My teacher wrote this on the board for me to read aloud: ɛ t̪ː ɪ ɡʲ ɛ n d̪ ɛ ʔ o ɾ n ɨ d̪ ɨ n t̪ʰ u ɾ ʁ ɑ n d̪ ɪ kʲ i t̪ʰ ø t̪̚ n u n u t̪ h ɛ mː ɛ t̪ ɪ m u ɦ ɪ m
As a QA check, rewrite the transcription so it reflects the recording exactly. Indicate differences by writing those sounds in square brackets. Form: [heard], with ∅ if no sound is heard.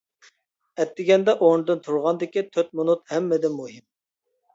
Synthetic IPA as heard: ɛ t̪ː ɪ ɡʲ ɛ n d̪ ɛ ʔ o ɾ n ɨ d̪ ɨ n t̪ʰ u ɾ ʁ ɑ n d̪ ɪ kʲ i t̪ʰ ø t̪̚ [m] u n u t̪ h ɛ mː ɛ [d̪] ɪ m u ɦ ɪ m